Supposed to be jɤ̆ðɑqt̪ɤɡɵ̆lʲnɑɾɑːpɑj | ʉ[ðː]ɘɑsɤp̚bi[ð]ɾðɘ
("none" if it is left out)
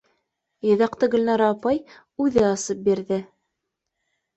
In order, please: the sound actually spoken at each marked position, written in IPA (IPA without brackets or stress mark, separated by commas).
ð, none